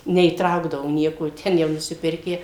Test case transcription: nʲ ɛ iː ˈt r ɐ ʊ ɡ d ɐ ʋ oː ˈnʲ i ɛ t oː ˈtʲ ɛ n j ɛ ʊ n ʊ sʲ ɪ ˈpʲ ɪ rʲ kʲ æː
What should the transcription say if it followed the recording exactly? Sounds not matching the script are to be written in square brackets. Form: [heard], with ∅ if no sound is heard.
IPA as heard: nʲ ɛ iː ˈt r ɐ ʊ ɡ d ɐ ʋ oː ˈnʲ i ɛ [k] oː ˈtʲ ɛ n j ɛ ʊ n ʊ sʲ ɪ ˈpʲ ɪ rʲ kʲ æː